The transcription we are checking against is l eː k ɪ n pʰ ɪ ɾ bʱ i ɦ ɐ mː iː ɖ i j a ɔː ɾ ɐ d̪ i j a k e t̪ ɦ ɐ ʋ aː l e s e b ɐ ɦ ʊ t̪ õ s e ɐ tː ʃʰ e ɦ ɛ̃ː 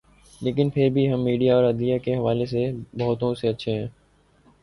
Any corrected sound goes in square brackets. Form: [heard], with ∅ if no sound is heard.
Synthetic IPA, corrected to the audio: l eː k ɪ n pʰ ɪ ɾ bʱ i ɦ ɐ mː iː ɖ i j a ɔː ɾ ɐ d̪ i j a k e [∅] ɦ ɐ ʋ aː l e s e b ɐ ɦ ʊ t̪ õ s e ɐ tː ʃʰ e ɦ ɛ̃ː